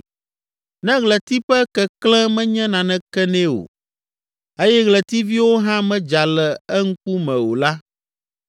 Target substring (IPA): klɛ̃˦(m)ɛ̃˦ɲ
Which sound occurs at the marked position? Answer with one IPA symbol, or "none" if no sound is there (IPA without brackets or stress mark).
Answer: m